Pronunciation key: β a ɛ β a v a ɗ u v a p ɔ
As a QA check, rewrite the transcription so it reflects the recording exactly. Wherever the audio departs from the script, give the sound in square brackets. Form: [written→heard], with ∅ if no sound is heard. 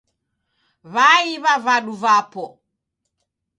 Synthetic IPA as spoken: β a [ɛ→i] β a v a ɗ u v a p ɔ